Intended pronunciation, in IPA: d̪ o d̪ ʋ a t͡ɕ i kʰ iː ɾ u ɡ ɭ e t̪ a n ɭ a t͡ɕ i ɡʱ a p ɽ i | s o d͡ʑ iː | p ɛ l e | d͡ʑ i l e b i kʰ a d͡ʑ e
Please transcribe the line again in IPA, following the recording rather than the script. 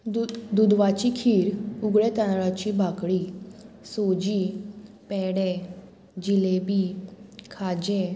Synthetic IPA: d̪ u d̪ ʋ a t͡ɕ i kʰ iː ɾ u ɡ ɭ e t̪ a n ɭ a t͡ɕ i bʱ a k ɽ i | s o d͡ʑ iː | p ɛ ɽ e | d͡ʑ i l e b i kʰ a d͡ʑ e